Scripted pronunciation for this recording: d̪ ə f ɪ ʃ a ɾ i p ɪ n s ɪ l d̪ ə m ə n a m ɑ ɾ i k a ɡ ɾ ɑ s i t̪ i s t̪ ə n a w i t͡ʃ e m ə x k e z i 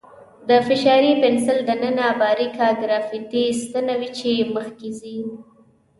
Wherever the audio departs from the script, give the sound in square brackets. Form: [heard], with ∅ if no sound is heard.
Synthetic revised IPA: d̪ ə f ɪ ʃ [ɑ] ɾ i p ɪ n s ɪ l d̪ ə [n] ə n a [b] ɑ ɾ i k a ɡ ɾ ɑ [f] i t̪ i s t̪ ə n a w i t͡ʃ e m ə x k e z i

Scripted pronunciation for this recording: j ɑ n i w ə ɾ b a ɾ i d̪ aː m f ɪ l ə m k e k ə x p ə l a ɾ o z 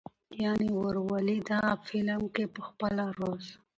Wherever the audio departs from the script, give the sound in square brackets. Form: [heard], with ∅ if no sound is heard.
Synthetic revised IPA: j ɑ n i w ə ɾ [w] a [l] i d̪ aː [∅] f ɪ l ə m k e [p] ə x p ə l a ɾ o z

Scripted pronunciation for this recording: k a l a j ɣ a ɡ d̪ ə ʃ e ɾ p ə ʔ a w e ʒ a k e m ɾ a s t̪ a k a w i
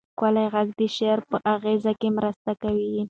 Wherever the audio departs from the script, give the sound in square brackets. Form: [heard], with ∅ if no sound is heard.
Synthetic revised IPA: k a l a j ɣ a ɡ d̪ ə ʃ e ɾ p ə ʔ a [ɣ] e [z] a k e m ɾ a s t̪ a k a w i

